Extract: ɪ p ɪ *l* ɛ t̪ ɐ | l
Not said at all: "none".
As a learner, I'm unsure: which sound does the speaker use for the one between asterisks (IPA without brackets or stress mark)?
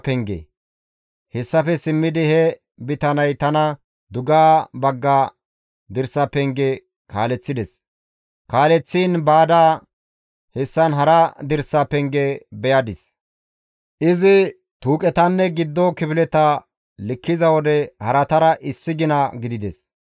l